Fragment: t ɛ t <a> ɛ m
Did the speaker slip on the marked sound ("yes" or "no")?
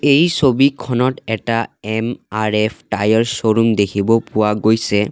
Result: no